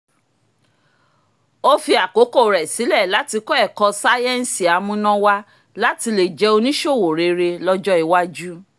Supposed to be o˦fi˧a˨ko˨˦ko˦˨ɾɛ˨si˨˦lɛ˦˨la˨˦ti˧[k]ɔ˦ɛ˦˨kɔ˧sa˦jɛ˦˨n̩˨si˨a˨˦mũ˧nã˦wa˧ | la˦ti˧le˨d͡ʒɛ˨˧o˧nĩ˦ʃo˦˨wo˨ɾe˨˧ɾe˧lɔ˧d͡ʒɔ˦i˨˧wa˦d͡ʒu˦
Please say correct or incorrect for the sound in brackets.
correct